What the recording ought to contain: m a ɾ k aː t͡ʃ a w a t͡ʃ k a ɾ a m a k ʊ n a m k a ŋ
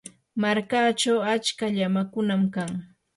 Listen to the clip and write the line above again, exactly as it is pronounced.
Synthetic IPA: m a ɾ k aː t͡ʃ a w a t͡ʃ k a ʎ a m a k ʊ n a m k a ŋ

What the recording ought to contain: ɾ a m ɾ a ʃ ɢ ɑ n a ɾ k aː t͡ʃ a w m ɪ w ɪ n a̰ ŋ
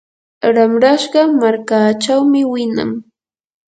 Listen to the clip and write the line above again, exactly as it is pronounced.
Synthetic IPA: ɾ a m ɾ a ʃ ɢ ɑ m a ɾ k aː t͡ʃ a w m ɪ w ɪ n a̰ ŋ

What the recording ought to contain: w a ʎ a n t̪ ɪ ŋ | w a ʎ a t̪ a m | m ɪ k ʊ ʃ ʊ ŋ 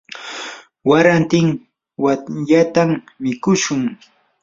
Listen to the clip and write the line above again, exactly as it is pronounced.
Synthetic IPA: w a ɾ a n t̪ ɪ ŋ | w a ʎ a t̪ a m | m ɪ k ʊ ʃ ʊ ŋ

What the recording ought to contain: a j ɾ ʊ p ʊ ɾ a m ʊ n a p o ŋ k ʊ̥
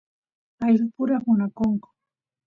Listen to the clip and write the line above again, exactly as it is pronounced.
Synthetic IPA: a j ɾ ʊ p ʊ ɾ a m ʊ n a k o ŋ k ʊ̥

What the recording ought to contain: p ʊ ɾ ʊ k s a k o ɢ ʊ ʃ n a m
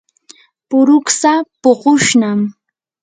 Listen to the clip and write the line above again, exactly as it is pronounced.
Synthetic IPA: p ʊ ɾ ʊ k s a p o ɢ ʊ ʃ n a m

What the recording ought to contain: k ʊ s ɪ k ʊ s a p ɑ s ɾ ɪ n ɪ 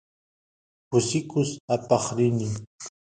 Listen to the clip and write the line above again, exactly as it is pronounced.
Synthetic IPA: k ʊ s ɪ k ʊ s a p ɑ χ ɾ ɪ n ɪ

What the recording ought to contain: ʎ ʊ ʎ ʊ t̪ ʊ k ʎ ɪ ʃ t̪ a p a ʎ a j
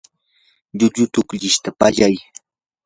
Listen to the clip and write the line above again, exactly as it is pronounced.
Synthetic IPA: ʎ ʊ ʎ ʊ t̪ ʊ k ʎ ɪ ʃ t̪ a p a ʎ a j

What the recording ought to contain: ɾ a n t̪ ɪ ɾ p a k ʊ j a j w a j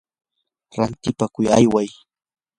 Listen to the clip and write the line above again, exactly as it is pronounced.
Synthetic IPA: ɾ a n t̪ ɪ p a k ʊ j a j w a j

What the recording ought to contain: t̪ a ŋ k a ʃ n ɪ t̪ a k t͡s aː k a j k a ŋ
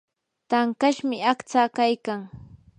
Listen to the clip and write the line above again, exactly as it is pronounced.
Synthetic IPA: t̪ a ŋ k a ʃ m ɪ a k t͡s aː k a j k a ŋ

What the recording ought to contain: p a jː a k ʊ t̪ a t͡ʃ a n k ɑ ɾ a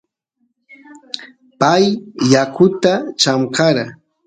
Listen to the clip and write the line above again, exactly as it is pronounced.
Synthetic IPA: p a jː a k ʊ t̪ a t͡ʃ a m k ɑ ɾ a

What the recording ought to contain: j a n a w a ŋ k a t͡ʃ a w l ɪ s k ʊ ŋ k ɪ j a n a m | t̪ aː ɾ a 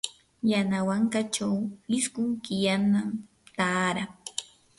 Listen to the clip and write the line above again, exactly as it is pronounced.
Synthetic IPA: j a n a w a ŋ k a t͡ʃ a w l ɪ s k ʊ ŋ k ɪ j a n a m | t̪ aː ɾ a

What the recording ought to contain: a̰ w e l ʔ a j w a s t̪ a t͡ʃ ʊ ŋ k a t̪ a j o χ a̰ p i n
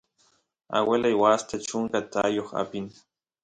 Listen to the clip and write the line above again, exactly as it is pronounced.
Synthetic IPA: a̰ w e l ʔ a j w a s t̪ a t͡ʃ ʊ ŋ k a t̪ a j o χ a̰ p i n

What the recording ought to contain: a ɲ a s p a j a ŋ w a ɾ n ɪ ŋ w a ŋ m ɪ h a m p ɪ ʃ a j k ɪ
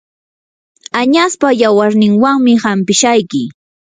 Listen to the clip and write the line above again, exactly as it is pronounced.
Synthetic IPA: a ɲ a s p a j a w a ɾ n ɪ ŋ w a ŋ m ɪ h a m p ɪ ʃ a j k ɪ

